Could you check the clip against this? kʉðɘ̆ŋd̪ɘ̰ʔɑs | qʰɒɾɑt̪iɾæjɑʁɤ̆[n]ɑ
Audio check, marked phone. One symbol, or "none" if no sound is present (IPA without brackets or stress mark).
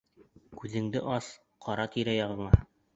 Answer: ɴ